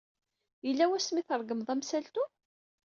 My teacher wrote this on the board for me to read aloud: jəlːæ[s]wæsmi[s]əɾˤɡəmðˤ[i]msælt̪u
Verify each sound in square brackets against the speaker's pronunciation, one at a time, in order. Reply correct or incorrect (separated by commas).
incorrect, incorrect, incorrect